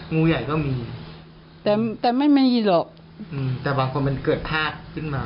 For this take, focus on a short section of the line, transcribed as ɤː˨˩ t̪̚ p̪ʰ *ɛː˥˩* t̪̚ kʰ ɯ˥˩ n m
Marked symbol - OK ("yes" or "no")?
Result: no